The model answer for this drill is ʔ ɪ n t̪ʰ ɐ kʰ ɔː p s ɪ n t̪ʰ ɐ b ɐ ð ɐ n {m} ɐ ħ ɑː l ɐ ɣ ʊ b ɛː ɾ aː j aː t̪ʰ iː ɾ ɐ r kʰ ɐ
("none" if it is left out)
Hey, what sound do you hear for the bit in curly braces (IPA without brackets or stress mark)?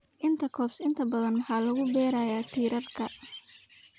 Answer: m